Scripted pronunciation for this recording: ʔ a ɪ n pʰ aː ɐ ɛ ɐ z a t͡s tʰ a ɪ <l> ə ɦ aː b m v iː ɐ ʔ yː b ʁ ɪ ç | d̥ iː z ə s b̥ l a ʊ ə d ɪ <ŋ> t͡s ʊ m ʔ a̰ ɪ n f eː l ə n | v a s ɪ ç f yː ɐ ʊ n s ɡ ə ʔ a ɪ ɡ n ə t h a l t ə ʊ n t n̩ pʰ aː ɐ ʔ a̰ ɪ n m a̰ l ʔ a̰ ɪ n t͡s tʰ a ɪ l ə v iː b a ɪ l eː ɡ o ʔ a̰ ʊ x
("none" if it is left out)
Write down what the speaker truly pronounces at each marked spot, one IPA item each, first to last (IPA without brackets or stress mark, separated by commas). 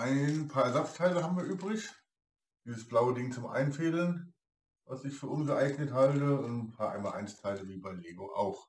l, ŋ